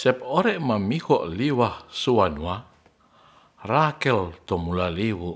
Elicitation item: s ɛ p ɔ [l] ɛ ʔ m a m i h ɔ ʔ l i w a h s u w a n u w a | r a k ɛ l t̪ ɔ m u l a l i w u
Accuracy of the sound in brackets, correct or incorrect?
incorrect